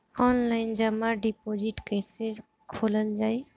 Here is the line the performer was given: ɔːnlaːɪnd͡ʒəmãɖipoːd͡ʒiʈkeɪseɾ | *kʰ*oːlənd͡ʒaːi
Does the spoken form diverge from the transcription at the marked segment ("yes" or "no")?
no